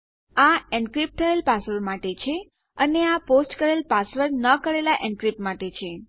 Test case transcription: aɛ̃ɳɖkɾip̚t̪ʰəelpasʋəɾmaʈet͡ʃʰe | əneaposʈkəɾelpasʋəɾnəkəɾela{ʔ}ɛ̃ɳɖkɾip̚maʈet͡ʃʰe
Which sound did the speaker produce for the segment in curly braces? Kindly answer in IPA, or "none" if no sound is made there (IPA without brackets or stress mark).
ʔ